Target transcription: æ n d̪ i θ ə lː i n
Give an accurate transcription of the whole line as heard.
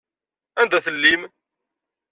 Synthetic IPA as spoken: æ n d̪ æ θ ə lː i m